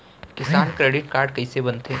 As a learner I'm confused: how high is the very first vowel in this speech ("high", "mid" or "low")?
high